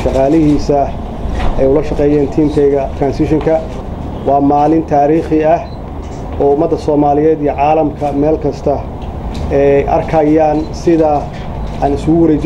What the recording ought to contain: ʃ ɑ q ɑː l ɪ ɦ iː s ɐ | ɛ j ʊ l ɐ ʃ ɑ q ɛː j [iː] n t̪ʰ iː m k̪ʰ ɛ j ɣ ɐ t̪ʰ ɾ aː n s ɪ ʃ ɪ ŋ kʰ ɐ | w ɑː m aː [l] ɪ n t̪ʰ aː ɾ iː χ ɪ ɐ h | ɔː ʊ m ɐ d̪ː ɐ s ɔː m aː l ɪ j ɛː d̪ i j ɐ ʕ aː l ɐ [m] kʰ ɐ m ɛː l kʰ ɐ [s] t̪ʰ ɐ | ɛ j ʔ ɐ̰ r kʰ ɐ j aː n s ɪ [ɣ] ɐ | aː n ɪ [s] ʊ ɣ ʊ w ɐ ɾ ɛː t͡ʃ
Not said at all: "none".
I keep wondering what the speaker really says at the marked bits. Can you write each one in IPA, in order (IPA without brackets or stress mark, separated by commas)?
ɛː, l, m, s, ð, s